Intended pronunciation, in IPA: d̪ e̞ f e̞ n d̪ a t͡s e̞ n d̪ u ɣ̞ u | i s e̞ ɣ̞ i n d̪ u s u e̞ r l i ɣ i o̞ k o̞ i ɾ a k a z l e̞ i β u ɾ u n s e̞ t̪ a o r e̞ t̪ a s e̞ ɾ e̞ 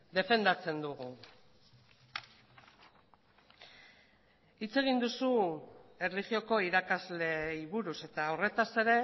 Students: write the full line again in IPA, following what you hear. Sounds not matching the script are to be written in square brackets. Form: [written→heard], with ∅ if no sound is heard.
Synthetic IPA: d̪ e̞ f e̞ n d̪ a t͡s e̞ n d̪ u ɣ̞ u | i [s→t͡s] e̞ ɣ̞ i n d̪ u s u e̞ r l i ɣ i o̞ k o̞ i ɾ a k a z l e̞ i β u ɾ u [n→∅] s e̞ t̪ a o r e̞ t̪ a s e̞ ɾ e̞